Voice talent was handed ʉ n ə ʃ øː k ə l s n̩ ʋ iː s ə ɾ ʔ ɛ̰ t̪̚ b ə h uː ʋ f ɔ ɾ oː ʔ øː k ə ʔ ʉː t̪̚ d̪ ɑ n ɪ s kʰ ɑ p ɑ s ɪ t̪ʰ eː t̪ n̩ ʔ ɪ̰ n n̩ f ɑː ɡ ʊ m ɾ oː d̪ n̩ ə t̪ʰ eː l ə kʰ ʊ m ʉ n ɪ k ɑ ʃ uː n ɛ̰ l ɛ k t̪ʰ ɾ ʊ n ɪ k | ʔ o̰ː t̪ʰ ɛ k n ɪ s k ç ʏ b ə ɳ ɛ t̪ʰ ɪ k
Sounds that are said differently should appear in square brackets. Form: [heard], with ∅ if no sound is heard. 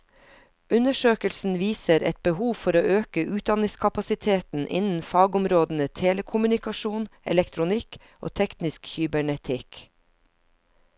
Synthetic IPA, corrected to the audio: ʉ n ə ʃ øː k ə l s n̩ ʋ iː s ə ɾ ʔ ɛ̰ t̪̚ b ə h uː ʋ f ɔ ɾ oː ʔ øː k ə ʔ ʉː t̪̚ d̪ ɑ n ɪ s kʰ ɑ p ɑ s ɪ t̪ʰ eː t̪ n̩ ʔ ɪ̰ n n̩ f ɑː ɡ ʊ m ɾ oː d̪ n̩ ə t̪ʰ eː l ə kʰ ʊ m ʉ n ɪ k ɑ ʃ uː n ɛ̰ l ɛ k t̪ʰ ɾ ʊ n ɪ k | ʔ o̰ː t̪ʰ ɛ k n ɪ s k ç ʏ b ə ɳ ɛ t̪ʰ ɪ k

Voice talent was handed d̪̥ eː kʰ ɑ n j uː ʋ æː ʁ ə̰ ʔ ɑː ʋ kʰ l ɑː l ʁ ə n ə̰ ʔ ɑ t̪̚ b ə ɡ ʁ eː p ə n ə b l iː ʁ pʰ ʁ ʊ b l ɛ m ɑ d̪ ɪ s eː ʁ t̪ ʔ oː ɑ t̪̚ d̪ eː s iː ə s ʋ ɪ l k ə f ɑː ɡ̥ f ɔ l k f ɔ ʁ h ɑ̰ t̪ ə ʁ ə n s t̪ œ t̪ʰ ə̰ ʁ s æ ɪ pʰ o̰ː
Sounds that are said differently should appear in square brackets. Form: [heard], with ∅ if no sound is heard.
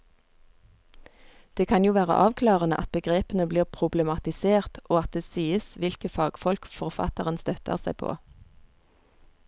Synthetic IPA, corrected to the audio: d̪̥ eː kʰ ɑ n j uː ʋ æː ʁ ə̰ ʔ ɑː ʋ kʰ l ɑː [∅] ʁ ə n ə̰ ʔ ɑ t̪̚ b ə ɡ ʁ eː p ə n ə b l iː ʁ pʰ ʁ ʊ b l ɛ m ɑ [t̪] ɪ s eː ʁ t̪ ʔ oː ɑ t̪̚ d̪ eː s iː ə s ʋ ɪ l k ə f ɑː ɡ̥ f ɔ l k f ɔ ʁ [f] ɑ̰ t̪ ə ʁ ə n s t̪ œ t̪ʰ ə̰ ʁ s æ ɪ pʰ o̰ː

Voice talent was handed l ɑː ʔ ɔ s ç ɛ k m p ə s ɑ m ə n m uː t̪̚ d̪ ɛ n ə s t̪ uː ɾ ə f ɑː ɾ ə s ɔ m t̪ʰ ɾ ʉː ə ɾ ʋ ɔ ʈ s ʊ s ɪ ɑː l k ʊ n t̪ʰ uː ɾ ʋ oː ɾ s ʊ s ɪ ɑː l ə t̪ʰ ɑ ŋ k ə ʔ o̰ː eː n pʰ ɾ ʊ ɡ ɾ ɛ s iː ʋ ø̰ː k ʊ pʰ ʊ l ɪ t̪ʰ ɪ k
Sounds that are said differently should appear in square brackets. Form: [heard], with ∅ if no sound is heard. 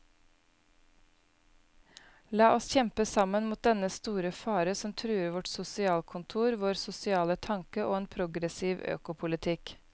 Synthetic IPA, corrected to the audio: l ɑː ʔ ɔ s ç ɛ [∅] m p ə s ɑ m ə n m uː t̪̚ d̪ ɛ n ə s t̪ uː ɾ ə f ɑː ɾ ə s ɔ m t̪ʰ ɾ ʉː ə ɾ ʋ ɔ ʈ s ʊ s ɪ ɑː l [kʰ] ʊ n t̪ʰ uː ɾ ʋ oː ɾ s ʊ s ɪ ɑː l ə t̪ʰ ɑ ŋ k ə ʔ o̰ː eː n pʰ ɾ ʊ ɡ ɾ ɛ s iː ʋ ø̰ː k ʊ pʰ ʊ l ɪ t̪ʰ ɪ k

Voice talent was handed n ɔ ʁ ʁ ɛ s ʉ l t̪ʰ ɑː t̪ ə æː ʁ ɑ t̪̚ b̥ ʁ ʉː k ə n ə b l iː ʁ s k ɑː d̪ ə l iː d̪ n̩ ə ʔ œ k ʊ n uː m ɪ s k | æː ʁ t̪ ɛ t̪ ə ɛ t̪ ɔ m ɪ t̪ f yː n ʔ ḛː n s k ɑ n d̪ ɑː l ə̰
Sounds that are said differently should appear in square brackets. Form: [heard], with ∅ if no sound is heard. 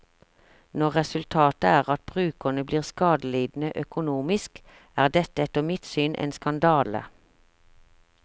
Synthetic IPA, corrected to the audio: n ɔ ʁ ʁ ɛ s ʉ l t̪ʰ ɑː t̪ ə æː ʁ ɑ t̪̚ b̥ ʁ ʉː k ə n ə b l iː ʁ s k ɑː d̪ ə l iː d̪ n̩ ə ʔ œ k ʊ n uː m ɪ s k | æː ʁ [d̪] ɛ t̪ ə ɛ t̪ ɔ m ɪ t̪ [s] yː n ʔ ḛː n s k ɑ n d̪ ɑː l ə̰

